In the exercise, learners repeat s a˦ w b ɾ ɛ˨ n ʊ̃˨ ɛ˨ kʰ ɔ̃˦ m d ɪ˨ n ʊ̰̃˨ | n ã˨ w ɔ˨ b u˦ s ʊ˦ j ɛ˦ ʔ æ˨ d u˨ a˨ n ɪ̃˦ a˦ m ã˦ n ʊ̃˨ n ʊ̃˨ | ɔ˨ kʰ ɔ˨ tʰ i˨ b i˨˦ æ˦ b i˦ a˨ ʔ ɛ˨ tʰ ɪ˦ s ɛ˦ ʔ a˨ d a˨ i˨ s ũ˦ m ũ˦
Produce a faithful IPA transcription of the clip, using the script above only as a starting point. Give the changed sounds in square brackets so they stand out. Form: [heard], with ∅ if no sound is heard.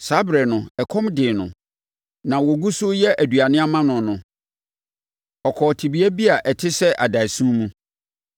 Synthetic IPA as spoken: s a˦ [∅] b ɾ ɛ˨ n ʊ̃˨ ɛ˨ kʰ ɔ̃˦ m d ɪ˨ n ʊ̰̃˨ | n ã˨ w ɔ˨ [ɡ] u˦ s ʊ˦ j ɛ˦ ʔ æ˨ d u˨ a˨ n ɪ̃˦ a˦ m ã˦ n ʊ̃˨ n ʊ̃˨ | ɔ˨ kʰ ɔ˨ tʰ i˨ b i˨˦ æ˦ b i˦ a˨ ʔ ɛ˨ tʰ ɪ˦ s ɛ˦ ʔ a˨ d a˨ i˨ s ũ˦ m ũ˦